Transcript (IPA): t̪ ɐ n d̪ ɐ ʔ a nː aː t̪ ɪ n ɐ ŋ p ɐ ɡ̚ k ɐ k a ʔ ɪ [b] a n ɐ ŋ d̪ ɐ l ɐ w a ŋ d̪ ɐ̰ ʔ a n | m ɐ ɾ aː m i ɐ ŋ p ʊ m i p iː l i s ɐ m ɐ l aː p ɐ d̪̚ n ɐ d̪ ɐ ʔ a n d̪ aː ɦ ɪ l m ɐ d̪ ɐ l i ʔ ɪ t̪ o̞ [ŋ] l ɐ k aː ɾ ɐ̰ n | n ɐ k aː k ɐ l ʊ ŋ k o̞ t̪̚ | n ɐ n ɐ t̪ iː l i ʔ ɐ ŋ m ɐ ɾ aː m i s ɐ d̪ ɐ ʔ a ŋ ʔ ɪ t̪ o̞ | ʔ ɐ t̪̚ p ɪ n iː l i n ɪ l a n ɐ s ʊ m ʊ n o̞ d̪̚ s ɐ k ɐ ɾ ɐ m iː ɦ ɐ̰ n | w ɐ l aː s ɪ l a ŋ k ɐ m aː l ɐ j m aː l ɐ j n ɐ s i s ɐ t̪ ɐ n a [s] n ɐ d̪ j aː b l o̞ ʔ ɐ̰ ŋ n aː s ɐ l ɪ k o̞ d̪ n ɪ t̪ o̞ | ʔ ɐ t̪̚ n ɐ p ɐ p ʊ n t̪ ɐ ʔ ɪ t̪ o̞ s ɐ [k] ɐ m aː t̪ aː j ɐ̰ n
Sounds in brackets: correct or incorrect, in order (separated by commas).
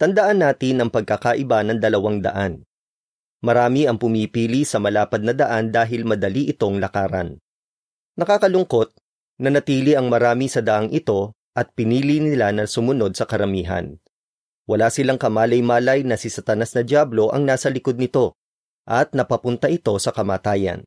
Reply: correct, correct, correct, correct